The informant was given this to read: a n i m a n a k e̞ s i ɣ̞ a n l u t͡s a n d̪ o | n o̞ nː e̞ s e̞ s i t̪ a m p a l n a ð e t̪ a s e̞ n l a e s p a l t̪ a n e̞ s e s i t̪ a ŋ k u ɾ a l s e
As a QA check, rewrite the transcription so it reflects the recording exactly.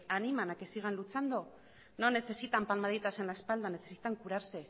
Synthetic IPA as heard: a n i m a n a k e̞ s i ɣ̞ a n l u t͡s a n d̪ o | n o̞ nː e̞ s e̞ s i t̪ a m p a l m a ð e t̪ a s e̞ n l a e s p a l d̪ a n e̞ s e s i t̪ a ŋ k u ɾ a ɾ s e